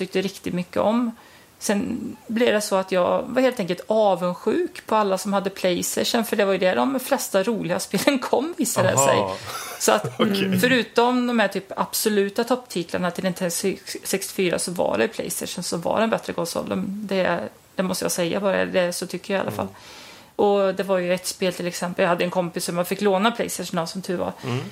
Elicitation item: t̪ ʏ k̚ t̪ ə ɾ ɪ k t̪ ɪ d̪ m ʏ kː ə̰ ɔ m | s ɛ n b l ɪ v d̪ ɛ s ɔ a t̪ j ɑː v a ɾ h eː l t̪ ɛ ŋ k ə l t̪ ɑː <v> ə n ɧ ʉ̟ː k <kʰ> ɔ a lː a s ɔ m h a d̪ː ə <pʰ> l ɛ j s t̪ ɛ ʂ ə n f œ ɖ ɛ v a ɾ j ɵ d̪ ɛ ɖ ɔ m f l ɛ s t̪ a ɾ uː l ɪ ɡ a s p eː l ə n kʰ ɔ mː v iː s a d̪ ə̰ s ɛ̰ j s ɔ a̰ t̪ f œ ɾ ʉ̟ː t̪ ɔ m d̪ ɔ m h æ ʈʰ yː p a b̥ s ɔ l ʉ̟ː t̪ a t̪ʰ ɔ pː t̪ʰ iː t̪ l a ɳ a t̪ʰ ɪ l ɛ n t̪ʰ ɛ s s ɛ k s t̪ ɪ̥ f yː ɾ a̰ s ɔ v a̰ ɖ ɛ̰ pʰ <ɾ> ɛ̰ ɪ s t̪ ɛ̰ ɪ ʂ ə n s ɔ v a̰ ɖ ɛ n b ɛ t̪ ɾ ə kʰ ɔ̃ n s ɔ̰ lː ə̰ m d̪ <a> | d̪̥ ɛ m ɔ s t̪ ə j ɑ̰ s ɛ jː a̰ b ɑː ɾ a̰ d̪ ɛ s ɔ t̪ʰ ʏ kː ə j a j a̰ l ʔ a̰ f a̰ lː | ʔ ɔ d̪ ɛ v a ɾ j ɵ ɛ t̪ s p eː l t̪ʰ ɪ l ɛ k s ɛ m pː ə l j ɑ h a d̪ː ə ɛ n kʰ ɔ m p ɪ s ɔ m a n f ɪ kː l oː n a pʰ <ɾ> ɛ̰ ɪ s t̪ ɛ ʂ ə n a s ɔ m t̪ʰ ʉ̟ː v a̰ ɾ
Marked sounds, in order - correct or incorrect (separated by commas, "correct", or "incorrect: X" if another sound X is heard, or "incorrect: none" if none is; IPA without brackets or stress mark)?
correct, incorrect: pʰ, correct, incorrect: l, incorrect: ɛ, incorrect: l